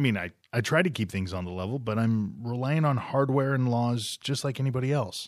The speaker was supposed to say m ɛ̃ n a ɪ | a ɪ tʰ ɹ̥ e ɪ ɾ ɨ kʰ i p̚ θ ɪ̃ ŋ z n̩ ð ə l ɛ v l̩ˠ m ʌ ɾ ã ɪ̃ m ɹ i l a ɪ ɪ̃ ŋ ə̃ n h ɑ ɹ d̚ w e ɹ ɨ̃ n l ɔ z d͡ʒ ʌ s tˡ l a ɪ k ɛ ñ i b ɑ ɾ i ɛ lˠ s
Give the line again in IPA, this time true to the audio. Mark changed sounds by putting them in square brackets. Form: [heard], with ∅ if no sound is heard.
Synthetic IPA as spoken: m [ĩ] n a ɪ | a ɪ tʰ ɹ̥ [a] ɪ ɾ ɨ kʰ i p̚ θ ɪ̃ ŋ z n̩ ð ə l ɛ v l̩ˠ [b] ʌ ɾ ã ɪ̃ m ɹ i l a ɪ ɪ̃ ŋ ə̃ n h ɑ ɹ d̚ w [ɛ] ɹ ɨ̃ n l ɔ z d͡ʒ ʌ s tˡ l a ɪ k ɛ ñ i b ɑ ɾ i ɛ lˠ s